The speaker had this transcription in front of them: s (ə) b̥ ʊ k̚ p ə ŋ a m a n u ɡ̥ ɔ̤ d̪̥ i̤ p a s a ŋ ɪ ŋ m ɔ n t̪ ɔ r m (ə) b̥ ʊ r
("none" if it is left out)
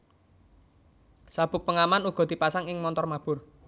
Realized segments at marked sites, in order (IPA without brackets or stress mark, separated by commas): a, a